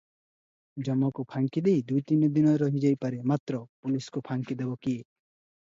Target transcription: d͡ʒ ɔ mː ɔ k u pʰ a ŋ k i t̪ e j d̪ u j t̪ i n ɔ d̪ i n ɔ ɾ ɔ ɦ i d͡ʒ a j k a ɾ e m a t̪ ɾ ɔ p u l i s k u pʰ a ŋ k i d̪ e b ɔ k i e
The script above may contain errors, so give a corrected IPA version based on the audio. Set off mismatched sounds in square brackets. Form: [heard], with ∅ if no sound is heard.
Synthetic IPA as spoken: d͡ʒ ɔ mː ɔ k u pʰ a ŋ k i [d̪] e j d̪ u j t̪ i n ɔ d̪ i n ɔ ɾ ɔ ɦ i d͡ʒ a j [p] a ɾ e m a t̪ ɾ ɔ p u l i s k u pʰ a ŋ k i d̪ e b ɔ k i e